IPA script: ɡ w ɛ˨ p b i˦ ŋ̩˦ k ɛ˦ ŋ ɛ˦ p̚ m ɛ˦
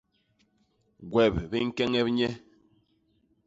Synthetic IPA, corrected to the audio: ɡ w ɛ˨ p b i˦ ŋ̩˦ k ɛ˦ ŋ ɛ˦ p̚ ɲ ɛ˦